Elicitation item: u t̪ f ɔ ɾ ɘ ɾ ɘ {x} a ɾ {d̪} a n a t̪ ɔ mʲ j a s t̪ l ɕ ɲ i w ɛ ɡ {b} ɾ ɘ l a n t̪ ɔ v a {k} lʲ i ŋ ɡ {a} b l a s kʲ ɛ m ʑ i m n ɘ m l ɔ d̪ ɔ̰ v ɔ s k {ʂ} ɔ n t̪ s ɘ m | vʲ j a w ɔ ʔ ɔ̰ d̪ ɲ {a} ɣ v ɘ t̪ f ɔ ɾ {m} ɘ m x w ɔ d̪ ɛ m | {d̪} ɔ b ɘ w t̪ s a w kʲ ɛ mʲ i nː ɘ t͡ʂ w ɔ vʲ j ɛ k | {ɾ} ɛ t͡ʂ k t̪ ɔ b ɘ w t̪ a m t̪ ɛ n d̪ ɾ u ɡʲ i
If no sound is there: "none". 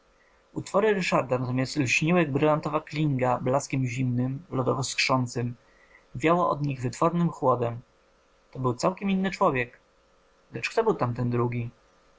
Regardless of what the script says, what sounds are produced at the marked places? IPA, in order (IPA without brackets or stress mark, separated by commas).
ʂ, d̪, b, k, a, ʂ, i, n, t̪, l